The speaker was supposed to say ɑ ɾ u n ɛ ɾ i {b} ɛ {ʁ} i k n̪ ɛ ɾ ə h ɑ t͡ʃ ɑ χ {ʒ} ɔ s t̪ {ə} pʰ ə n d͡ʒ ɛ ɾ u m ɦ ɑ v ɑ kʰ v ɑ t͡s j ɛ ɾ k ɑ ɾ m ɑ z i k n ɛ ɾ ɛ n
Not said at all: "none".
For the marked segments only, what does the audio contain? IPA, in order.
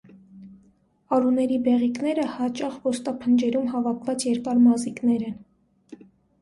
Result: b, ʁ, v, ɑ

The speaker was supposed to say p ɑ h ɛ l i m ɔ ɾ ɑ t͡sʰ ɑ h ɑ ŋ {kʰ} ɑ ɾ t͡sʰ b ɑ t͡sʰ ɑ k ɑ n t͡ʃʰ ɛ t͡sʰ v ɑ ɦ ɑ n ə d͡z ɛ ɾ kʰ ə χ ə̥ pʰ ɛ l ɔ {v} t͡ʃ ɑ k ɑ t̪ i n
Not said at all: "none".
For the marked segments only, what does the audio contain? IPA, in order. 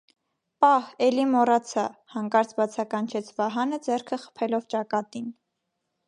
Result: k, v

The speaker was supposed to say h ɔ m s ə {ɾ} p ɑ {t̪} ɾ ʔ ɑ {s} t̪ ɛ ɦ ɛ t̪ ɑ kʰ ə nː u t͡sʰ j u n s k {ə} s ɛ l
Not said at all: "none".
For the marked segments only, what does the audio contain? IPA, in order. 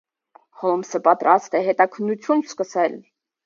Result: none, t̪, s, ə

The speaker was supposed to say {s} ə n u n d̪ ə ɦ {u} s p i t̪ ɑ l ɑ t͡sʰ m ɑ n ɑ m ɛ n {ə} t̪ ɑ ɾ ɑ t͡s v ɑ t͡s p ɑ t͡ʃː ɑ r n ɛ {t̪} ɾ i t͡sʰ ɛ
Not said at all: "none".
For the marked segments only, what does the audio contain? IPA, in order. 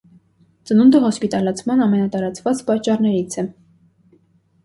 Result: t͡s, ɔ, ɑ, none

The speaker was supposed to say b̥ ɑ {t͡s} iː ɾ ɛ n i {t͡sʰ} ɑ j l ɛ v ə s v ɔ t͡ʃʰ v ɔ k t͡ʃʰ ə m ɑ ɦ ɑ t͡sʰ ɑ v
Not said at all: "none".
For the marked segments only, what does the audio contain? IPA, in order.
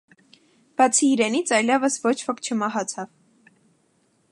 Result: t͡sʰ, t͡sʰ

